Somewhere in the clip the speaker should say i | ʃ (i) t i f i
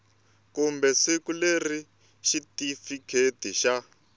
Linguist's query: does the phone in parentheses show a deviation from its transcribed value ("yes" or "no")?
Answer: no